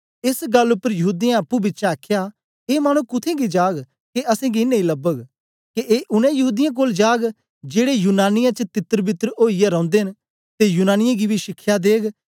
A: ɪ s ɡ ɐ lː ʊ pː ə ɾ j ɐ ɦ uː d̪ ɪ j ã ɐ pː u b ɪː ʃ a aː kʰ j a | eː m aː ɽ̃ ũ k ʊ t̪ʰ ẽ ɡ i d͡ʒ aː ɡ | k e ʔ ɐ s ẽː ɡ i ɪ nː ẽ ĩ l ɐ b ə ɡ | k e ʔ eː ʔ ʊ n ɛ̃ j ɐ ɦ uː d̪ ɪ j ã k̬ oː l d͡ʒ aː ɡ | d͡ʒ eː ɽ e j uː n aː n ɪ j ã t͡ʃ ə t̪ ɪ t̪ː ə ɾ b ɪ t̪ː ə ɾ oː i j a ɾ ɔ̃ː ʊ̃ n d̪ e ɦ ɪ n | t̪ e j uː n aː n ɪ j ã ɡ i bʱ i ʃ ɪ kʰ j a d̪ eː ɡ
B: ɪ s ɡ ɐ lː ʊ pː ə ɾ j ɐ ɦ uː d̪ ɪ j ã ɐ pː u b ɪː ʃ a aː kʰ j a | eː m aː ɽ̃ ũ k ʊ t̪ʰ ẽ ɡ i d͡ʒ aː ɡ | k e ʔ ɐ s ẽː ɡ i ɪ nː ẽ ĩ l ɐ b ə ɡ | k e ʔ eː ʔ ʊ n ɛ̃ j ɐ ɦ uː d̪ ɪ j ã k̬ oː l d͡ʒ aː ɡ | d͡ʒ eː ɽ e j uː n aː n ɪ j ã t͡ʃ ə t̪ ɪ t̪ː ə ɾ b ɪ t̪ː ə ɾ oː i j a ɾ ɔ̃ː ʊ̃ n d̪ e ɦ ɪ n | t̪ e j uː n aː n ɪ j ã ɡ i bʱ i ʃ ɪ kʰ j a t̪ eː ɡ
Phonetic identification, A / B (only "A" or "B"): A